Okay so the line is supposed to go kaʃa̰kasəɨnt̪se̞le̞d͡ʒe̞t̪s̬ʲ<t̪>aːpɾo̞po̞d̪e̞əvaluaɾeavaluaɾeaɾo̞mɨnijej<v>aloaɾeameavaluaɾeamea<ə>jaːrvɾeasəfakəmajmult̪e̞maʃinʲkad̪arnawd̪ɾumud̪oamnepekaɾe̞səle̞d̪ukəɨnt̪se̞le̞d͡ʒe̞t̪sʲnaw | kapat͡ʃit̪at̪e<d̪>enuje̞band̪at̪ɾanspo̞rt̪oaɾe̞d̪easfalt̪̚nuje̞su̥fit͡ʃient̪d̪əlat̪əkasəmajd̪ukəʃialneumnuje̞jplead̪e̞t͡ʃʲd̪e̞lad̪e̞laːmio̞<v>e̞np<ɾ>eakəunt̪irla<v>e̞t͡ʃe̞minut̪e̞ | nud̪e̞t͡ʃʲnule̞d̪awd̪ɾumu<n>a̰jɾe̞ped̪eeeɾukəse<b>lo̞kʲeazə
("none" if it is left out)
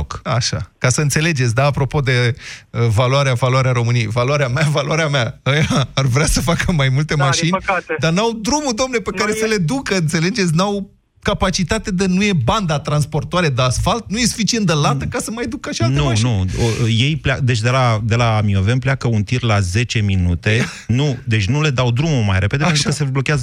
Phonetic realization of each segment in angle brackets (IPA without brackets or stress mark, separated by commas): d̪, v, ə, d̪, v, l, z, m, b